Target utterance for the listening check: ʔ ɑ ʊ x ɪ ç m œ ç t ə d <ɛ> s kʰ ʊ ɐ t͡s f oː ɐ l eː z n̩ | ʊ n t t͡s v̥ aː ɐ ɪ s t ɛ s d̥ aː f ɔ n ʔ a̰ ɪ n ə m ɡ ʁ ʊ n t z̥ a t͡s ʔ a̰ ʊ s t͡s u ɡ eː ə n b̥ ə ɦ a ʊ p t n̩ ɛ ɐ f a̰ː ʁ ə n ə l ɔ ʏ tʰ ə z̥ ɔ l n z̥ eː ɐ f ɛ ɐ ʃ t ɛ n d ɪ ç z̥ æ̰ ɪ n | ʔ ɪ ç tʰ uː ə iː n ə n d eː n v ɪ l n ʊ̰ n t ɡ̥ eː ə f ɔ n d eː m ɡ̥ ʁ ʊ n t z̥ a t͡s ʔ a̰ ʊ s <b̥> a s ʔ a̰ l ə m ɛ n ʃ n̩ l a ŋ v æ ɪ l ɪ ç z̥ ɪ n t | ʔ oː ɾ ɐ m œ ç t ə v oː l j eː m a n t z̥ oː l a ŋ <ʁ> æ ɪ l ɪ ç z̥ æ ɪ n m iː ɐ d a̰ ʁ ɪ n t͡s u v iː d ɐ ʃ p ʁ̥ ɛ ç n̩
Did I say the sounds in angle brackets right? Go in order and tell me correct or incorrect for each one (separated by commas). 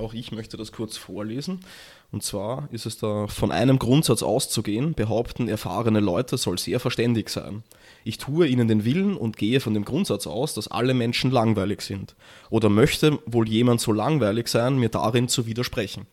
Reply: incorrect, incorrect, incorrect